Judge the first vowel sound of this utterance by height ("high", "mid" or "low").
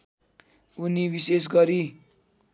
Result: high